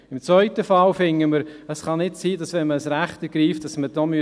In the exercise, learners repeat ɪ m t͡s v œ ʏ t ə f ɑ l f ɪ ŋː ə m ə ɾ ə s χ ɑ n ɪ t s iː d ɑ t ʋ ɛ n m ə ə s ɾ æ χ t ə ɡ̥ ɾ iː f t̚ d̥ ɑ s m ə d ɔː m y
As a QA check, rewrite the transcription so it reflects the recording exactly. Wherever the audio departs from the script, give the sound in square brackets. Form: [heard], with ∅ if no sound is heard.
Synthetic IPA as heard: ɪ m t͡s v œ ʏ t ə f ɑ l f ɪ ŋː ə m ə ɾ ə s χ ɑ n ɪ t s iː d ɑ [s] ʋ ɛ n m ə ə s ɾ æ χ t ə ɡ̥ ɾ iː f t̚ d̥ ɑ s m ə d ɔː m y

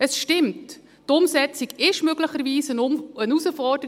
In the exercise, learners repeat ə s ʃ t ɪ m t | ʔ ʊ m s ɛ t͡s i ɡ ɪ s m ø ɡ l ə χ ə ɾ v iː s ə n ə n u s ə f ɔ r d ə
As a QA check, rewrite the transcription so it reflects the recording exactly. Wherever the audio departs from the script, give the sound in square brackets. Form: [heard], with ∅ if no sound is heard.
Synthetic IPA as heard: ə s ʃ t ɪ m t | [t] ʊ m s ɛ t͡s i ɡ ɪ [ʃ] m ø ɡ l ə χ ə ɾ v iː s ə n ə n u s ə f ɔ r d ə

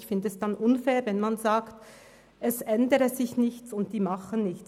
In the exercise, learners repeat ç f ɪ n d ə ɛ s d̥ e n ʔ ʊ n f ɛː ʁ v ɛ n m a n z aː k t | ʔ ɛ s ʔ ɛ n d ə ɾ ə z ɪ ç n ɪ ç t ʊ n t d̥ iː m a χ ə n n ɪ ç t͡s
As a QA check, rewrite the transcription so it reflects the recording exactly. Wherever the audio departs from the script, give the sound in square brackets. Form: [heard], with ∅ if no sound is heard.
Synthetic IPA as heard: ç f ɪ n d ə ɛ s d̥ [a] n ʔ ʊ n f ɛː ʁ v ɛ n m a n z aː k t | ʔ ɛ s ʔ ɛ n d ə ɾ ə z ɪ ç n ɪ ç [t͡s] ʊ n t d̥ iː m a χ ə n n ɪ ç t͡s

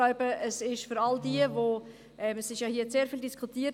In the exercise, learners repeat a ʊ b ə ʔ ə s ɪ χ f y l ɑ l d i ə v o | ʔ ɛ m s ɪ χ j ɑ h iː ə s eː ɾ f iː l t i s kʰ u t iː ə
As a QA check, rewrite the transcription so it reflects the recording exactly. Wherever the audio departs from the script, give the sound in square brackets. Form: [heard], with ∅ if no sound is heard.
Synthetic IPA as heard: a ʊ b ə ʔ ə s ɪ [ʃ] f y [ɾ] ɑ l d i ə v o | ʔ ɛ m s ɪ [ʃ] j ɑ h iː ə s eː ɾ f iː l [d] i s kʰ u t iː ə

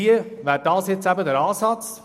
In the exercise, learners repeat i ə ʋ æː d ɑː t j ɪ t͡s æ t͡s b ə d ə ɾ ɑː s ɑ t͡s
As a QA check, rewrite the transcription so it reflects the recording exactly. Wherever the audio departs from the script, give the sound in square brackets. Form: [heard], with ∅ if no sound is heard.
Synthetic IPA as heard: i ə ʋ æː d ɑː [s] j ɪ t͡s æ [∅] b ə d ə ɾ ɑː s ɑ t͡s

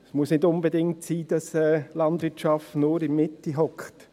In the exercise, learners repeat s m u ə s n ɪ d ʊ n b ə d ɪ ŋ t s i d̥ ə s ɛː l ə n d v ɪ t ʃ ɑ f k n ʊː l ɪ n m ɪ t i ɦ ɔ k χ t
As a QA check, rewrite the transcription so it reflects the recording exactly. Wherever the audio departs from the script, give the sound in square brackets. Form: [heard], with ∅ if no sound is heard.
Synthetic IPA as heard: s m u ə s n ɪ d ʊ n b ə d ɪ ŋ t s [iː] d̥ [ɑ] s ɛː l [ɑ] n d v ɪ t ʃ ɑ f [t] n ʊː [ɾ] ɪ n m ɪ t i ɦ ɔ k χ t

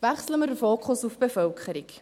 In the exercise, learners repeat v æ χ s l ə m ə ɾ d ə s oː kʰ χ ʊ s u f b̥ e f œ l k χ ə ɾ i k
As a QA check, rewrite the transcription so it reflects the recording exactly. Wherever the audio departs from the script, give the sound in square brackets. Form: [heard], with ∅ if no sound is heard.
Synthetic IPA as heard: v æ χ s l ə m ə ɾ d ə [f] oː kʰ χ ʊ s u f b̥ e f œ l k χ ə ɾ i k

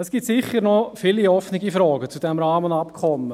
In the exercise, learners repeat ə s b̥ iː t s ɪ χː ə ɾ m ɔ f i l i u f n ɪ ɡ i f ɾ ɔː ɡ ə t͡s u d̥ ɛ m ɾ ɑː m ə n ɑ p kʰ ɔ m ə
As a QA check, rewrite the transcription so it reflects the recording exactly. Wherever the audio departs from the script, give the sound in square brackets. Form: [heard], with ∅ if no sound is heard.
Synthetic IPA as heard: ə s [ɡ̥] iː t s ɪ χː ə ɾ [n] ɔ f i l i [ɔ] f n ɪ ɡ i f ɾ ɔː ɡ ə t͡s u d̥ ɛ m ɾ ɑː m ə n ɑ p kʰ ɔ m ə

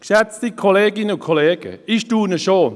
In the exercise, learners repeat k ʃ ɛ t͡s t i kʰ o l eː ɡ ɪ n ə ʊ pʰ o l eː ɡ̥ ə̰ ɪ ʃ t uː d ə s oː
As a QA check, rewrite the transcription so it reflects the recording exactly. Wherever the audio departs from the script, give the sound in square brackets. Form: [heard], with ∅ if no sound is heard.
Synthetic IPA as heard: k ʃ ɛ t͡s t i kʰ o l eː ɡ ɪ n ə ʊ [kʰ] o l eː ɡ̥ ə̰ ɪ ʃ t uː [n] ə [ʃ] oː

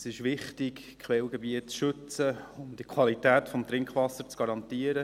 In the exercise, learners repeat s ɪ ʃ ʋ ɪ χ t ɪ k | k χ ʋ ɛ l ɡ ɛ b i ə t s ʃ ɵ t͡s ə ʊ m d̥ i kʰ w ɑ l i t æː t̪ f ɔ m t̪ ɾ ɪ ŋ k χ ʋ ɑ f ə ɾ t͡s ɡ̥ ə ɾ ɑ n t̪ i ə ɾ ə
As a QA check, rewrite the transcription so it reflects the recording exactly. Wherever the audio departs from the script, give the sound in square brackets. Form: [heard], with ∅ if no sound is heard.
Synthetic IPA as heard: s ɪ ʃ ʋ ɪ χ t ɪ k | k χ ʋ ɛ l ɡ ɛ b i ə t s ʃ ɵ t͡s ə ʊ m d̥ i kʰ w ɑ l i t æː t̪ f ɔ m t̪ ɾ ɪ ŋ k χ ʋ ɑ [s] ə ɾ t͡s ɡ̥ [ɑ] ɾ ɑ n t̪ i ə ɾ ə

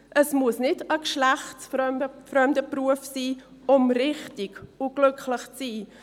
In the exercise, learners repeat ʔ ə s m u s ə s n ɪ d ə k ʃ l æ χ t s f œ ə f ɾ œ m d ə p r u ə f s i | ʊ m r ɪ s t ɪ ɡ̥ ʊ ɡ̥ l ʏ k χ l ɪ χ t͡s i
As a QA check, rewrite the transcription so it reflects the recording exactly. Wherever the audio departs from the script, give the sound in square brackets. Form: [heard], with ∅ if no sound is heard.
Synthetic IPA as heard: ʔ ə s m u [∅] ə s n ɪ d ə k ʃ l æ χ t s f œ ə f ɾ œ m d ə p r u ə f s [iː] | ʊ m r ɪ [χ] t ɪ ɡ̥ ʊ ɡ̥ l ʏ k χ l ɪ χ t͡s [iː]

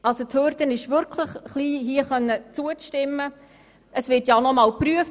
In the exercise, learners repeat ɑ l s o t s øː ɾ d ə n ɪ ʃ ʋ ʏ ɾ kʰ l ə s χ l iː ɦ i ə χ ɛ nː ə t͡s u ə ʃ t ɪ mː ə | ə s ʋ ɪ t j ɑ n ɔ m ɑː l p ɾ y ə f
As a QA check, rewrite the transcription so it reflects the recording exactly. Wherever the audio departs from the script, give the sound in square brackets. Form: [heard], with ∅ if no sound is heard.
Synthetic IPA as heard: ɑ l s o t [h] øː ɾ d ə n ɪ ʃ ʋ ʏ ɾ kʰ l ə [χ] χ l iː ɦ i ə χ [œ] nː ə t͡s u ə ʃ t ɪ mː ə | ə s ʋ ɪ t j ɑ n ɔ m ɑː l p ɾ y ə f

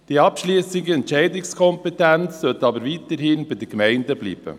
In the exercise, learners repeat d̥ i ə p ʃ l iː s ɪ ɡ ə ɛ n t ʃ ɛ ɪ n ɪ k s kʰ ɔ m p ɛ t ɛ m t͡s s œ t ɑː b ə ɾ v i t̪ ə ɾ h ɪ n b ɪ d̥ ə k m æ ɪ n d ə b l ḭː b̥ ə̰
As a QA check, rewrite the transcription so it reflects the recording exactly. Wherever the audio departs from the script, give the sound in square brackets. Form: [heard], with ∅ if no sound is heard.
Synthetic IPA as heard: d̥ i [ɑ] p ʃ l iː s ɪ ɡ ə ɛ n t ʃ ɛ ɪ [d] ɪ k s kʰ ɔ m p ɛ t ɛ [n] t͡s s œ t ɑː b ə ɾ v i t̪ ə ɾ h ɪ n b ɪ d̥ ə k m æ ɪ n d ə b l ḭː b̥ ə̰

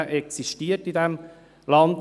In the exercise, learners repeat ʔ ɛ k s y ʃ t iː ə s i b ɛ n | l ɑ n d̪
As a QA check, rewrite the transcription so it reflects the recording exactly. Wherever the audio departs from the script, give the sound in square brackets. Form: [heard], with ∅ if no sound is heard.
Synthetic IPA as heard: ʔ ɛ k s [i] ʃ t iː ə [t] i [d] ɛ [m] | l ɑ n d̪

